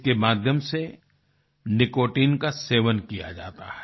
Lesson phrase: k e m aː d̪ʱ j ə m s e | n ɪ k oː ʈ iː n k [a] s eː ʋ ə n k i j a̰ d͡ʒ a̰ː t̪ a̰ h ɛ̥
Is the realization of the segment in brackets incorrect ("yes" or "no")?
no